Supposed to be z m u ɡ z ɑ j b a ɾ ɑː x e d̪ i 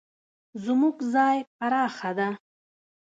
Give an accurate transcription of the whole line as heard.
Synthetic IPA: z m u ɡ z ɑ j p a ɾ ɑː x a d̪ a

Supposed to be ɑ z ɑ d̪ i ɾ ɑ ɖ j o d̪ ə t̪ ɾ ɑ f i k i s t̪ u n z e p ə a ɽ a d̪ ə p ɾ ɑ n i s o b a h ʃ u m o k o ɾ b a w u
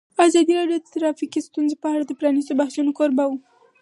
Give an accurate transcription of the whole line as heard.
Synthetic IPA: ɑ z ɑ d̪ i ɾ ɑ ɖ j o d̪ ə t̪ ɾ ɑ f i k i s t̪ u n z e p ə a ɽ a d̪ ə p ɾ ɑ n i s o b a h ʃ u n o k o ɾ b a w u

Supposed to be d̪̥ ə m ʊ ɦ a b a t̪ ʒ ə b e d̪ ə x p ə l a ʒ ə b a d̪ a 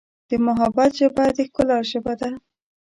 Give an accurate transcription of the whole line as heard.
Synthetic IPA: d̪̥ ə m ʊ ɦ a b a t̪ ʒ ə b a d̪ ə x k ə l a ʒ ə b a d̪ a

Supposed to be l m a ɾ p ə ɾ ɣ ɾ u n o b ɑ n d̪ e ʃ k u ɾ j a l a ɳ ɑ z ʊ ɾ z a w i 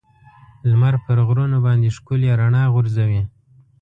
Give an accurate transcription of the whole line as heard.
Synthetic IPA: l m a ɾ p ə ɾ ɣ ɾ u n o b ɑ n d̪ e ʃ k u l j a ɾ a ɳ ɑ ɣ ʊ ɾ z a w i

